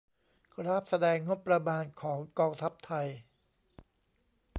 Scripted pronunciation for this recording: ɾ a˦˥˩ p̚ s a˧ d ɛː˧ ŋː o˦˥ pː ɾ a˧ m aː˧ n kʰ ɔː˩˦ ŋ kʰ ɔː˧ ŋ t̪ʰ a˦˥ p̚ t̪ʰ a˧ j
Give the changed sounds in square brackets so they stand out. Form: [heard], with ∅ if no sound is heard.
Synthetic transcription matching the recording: ɾ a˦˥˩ p̚ s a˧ d ɛː˧ ŋː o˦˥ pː ɾ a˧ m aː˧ n kʰ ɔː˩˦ ŋ [k] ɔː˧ ŋ t̪ʰ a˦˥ p̚ t̪ʰ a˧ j